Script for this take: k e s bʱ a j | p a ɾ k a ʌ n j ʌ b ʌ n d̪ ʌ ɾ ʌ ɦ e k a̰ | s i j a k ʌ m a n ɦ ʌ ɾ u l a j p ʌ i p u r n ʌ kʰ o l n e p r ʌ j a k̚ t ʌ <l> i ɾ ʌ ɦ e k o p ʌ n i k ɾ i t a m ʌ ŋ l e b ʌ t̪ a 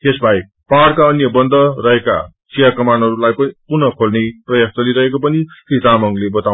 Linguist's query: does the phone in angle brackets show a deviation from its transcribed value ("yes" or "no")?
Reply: no